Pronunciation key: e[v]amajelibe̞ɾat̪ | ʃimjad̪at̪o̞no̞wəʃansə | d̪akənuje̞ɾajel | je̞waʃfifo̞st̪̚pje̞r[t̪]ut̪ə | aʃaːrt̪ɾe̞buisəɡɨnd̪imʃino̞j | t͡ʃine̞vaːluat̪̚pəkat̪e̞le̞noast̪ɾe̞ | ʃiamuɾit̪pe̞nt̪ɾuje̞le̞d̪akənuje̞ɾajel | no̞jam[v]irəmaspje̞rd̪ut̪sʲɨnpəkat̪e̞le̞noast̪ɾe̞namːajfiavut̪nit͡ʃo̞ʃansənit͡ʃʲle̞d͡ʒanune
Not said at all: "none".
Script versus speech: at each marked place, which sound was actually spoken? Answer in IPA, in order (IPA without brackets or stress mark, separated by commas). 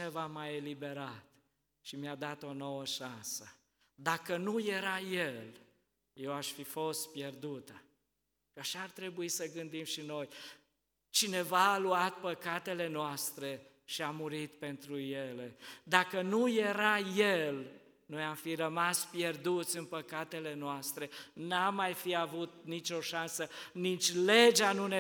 v, d̪, f